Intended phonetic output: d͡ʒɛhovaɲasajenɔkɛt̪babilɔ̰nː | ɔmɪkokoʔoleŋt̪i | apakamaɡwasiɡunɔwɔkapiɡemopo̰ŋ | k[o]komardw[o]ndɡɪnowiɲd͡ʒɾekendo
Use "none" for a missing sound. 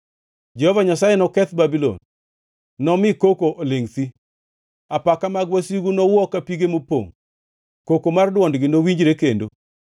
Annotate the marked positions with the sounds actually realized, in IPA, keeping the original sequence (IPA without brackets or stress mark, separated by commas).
o, ɔ